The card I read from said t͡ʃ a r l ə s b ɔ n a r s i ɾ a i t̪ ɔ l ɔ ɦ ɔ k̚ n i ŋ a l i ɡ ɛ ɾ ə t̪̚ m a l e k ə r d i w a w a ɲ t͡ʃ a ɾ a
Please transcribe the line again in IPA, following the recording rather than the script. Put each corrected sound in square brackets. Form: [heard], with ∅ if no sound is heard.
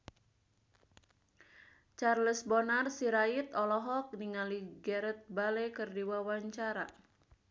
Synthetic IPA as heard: t͡ʃ a r l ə s b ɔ n a r s i ɾ a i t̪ ɔ l ɔ ɦ ɔ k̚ n i ŋ a l i ɡ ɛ ɾ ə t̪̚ [b] a l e k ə r d i w a w a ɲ t͡ʃ a ɾ a